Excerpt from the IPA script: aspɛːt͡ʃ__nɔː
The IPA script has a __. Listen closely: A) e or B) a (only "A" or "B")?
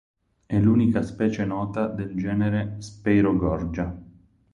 A